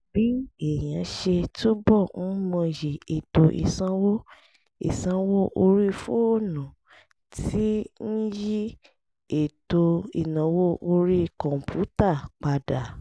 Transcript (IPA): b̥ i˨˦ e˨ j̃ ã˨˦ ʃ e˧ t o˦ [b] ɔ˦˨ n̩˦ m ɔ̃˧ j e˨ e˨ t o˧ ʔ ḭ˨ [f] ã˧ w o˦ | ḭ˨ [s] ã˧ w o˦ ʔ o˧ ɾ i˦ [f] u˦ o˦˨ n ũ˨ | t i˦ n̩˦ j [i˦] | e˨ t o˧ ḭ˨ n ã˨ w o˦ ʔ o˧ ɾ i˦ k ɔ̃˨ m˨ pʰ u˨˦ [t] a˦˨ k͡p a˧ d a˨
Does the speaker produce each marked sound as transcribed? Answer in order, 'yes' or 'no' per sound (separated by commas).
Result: yes, no, yes, yes, yes, yes